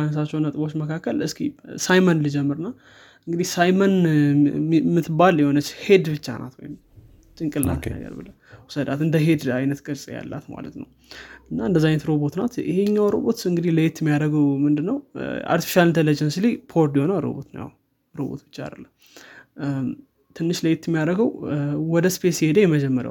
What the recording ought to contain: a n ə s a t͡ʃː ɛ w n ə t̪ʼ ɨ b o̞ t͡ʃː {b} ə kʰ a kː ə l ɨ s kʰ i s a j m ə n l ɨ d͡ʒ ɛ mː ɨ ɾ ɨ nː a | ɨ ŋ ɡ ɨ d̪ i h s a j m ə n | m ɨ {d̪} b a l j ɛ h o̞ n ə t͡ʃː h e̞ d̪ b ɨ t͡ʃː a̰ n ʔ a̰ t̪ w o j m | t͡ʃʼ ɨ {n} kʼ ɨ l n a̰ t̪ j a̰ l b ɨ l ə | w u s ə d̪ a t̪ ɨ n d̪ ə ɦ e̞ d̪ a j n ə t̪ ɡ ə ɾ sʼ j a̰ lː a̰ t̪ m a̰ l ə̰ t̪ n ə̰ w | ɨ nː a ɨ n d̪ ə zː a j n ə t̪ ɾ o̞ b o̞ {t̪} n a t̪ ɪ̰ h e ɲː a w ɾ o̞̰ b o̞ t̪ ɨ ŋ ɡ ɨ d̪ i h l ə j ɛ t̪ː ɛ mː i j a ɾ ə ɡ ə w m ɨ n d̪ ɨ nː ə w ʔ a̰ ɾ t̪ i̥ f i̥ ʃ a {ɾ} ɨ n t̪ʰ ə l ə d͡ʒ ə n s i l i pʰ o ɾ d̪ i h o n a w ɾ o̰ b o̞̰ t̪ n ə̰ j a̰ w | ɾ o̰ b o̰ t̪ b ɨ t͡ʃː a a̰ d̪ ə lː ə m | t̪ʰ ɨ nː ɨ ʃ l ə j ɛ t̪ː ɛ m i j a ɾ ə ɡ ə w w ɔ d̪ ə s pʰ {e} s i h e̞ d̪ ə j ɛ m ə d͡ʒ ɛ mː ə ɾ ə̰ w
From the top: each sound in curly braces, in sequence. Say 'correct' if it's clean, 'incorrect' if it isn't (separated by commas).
incorrect, incorrect, incorrect, correct, incorrect, correct